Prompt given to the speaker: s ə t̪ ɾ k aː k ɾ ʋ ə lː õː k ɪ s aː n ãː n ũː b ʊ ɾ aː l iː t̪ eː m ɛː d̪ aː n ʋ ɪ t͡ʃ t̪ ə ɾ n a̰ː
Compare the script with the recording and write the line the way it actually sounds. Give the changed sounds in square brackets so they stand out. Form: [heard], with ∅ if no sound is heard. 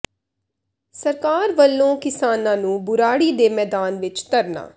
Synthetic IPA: s ə [∅] ɾ k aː [∅] ɾ ʋ ə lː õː k ɪ s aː n ãː n ũː b ʊ ɾ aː [ɽ] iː [d̪] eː m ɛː d̪ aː n ʋ ɪ t͡ʃ t̪ ə ɾ n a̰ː